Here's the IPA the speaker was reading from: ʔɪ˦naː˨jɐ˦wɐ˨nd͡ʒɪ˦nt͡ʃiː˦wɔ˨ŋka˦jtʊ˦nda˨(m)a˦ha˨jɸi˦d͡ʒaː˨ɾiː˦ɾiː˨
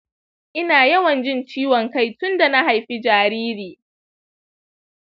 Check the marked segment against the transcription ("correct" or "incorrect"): incorrect